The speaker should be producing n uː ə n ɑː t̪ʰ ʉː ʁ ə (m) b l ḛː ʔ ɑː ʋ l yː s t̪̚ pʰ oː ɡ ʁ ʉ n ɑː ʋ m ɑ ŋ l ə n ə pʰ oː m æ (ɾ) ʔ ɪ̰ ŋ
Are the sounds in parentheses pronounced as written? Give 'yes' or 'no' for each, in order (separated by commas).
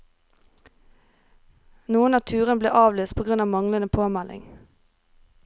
no, no